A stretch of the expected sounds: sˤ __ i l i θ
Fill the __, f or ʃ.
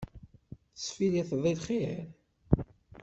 f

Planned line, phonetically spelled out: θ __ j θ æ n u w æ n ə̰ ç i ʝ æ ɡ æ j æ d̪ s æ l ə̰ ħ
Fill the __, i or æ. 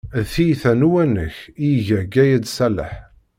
i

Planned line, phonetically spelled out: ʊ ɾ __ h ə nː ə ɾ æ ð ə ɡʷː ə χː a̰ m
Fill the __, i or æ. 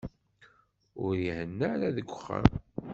i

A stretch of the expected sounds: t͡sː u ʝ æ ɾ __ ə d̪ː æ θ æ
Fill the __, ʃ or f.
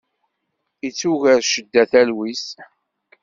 ʃ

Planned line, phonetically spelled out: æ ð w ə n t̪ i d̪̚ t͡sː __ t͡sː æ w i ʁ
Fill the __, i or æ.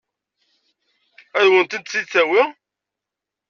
i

